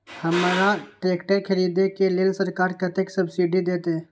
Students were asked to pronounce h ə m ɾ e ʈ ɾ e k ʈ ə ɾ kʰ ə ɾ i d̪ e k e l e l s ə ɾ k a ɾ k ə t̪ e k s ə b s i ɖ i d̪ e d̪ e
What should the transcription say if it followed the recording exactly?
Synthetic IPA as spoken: h ə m ɾ a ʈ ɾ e k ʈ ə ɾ kʰ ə ɾ i d̪ e k e l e l s ə ɾ k a ɾ k ə t̪ e k s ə b s i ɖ i d̪ e t̪ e